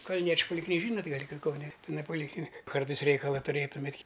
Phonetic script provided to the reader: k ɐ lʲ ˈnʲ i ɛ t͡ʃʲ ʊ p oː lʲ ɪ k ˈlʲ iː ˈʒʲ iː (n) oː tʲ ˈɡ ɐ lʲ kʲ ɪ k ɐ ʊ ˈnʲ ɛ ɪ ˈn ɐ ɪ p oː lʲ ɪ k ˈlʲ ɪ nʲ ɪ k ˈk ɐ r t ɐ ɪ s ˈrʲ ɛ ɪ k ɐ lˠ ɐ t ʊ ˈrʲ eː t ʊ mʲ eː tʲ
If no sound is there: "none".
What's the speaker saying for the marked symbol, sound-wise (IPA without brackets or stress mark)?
n